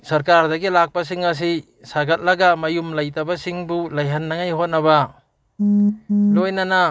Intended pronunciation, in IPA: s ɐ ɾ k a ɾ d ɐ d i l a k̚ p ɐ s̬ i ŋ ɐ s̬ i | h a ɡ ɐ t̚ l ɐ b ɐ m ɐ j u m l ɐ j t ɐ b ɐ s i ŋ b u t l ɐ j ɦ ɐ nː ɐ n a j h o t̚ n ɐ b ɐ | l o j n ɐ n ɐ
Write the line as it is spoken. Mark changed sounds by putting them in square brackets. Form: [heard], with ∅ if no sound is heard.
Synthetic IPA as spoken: s ɐ ɾ k a ɾ d ɐ [ɡ] i l a k̚ p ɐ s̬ i ŋ ɐ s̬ i | [s] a ɡ ɐ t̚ l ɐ [ɡ] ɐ m ɐ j u m l ɐ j t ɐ b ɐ s i ŋ b u [∅] l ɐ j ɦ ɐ nː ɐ [ŋ] a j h o t̚ n ɐ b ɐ | l o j n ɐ n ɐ

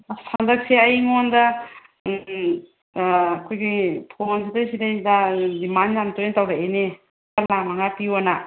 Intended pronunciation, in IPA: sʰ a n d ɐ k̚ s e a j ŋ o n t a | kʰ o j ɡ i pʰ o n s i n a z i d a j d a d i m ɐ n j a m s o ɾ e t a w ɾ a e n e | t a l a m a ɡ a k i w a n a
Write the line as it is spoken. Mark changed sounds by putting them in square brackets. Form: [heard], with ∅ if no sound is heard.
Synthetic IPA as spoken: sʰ a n d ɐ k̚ s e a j ŋ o n [d] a | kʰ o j ɡ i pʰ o n s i [d] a [s] i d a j d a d i m [a] n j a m [t] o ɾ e t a w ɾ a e n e | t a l a m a [ŋ] a [p] i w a n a

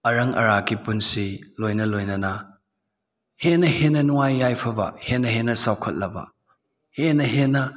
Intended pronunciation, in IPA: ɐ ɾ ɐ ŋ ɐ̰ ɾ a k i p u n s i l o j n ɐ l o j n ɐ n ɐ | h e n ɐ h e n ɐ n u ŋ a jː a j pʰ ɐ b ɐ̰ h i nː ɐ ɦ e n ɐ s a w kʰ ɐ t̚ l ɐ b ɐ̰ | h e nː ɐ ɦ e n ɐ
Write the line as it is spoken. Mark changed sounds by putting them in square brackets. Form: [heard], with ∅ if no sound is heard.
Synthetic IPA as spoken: ɐ ɾ ɐ ŋ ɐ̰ ɾ a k i p u n s i l o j n ɐ l o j n ɐ n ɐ | h e n ɐ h e n ɐ n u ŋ a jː a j pʰ ɐ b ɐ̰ h [e] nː ɐ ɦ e n ɐ s a w kʰ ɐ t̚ l ɐ b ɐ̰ | h e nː ɐ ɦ e n ɐ

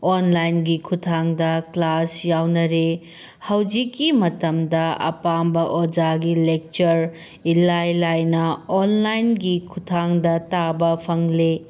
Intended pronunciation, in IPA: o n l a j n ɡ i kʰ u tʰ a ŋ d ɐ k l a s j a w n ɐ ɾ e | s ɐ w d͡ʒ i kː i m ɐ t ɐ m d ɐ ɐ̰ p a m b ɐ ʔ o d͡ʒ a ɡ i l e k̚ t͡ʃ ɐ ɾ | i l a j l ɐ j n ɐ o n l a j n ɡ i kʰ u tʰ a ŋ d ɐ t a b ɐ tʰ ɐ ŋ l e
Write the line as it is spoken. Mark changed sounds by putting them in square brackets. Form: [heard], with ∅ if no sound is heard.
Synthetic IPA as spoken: o n l a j n ɡ i kʰ u tʰ a ŋ d ɐ k l a s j a w n ɐ ɾ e | [h] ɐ w d͡ʒ i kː i m ɐ t ɐ m d ɐ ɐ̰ p a m b ɐ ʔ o d͡ʒ a ɡ i l e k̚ t͡ʃ ɐ ɾ | i l a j l [a] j n ɐ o n l a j n ɡ i kʰ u tʰ a ŋ d ɐ t a b ɐ [pʰ] ɐ ŋ l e

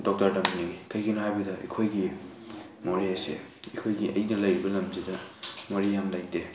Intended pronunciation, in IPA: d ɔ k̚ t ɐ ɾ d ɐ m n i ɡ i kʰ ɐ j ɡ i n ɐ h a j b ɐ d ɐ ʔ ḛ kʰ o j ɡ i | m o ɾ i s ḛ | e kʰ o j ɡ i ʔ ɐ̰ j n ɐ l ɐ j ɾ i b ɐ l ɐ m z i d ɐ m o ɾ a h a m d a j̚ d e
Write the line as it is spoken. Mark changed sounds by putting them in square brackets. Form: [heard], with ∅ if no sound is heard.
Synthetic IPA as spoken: d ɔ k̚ t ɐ ɾ d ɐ m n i [ŋ] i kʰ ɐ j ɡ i n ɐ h a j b ɐ d ɐ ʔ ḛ kʰ o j ɡ i | m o ɾ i s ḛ | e kʰ o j ɡ i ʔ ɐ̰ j n ɐ l ɐ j ɾ i b ɐ l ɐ m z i d ɐ m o ɾ [i] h a m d a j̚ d e

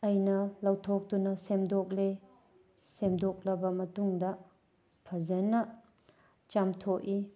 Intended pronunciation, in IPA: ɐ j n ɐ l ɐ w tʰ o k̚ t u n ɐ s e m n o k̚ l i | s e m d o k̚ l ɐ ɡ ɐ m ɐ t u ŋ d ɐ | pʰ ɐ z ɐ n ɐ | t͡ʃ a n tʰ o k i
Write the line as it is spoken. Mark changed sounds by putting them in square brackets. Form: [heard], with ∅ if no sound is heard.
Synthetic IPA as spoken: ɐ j n ɐ l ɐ w tʰ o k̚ t u n ɐ s e m [d] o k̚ l [e] | s e m d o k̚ l ɐ [b] ɐ m ɐ t u ŋ d ɐ | pʰ ɐ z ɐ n ɐ | t͡ʃ a [m] tʰ o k i

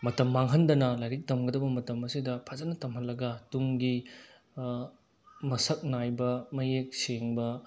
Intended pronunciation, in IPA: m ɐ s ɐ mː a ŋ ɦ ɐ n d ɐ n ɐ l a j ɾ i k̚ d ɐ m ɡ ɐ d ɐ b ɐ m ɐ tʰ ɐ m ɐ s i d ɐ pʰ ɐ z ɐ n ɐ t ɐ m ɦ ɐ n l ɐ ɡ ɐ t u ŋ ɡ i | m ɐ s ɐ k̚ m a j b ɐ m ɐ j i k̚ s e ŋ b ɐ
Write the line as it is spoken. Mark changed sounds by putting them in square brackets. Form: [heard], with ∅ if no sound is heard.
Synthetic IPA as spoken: m ɐ [t] ɐ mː a ŋ ɦ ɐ n d ɐ n ɐ l a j ɾ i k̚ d ɐ m ɡ ɐ d ɐ b ɐ m ɐ [t] ɐ m ɐ s i d ɐ pʰ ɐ z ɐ n ɐ t ɐ m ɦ ɐ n l ɐ ɡ ɐ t u ŋ ɡ i | m ɐ s ɐ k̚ [n] a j b ɐ m ɐ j [e] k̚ s e ŋ b ɐ

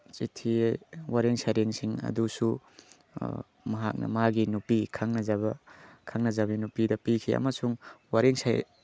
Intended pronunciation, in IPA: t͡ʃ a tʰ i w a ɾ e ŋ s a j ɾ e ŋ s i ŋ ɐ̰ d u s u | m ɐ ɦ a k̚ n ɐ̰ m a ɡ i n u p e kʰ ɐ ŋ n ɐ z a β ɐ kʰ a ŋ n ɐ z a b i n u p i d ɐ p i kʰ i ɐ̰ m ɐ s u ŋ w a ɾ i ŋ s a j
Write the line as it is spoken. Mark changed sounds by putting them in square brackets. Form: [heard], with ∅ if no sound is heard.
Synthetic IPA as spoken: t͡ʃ [i] tʰ i w a ɾ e ŋ s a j ɾ e ŋ s i ŋ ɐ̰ d u s u | m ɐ ɦ a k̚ n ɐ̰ m a ɡ i n u p [i] kʰ [a] ŋ n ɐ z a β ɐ kʰ a ŋ n ɐ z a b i n u p i d ɐ p i kʰ i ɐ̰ m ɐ s u ŋ w a ɾ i ŋ s a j

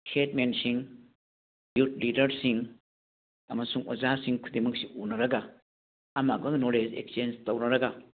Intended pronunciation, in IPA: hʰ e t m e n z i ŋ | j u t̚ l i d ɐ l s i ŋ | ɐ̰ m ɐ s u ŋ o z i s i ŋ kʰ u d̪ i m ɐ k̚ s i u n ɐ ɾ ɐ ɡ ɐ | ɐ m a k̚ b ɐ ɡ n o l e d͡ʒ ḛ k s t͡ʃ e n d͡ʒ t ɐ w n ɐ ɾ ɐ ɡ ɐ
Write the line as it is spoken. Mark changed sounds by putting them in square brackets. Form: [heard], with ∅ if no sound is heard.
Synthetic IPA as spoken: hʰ e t m e n [s] i ŋ | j u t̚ l i d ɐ [ɾ] s i ŋ | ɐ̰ m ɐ s u ŋ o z [a] s i ŋ kʰ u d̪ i m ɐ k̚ s i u n ɐ ɾ ɐ ɡ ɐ | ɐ m a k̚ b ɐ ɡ n o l e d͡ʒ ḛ k s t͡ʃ e n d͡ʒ t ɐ w n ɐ ɾ ɐ ɡ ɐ

